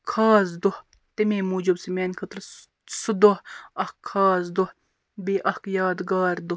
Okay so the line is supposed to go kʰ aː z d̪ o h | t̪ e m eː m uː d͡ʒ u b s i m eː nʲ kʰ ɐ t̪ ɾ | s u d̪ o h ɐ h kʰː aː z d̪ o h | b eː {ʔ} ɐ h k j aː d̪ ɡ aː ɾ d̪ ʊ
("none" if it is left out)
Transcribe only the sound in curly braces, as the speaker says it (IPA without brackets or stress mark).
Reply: ʔ